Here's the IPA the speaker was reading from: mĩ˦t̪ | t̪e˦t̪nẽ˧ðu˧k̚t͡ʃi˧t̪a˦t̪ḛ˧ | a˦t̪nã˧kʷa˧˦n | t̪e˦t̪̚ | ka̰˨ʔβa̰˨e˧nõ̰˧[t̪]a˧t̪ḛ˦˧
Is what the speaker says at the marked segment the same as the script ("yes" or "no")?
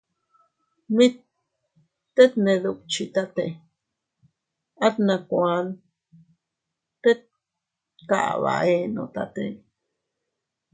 yes